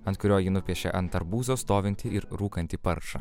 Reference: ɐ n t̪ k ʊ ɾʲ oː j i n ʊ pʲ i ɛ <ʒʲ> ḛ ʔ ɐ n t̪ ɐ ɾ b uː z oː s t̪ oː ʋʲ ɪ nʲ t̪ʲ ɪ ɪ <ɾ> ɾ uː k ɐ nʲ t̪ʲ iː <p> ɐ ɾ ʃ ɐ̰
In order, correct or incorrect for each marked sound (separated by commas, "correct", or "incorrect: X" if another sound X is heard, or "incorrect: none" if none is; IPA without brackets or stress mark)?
incorrect: ʃʲ, correct, correct